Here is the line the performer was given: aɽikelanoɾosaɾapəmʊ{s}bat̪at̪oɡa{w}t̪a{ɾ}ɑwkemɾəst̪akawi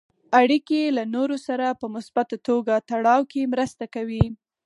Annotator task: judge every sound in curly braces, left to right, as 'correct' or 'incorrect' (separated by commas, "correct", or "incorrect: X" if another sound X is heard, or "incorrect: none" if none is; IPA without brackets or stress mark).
correct, incorrect: none, incorrect: ɽ